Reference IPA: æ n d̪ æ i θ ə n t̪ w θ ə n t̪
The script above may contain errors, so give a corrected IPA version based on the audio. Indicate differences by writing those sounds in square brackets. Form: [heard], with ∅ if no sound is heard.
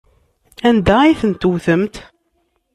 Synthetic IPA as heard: æ n d̪ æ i θ ə n t̪ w θ ə [m] t̪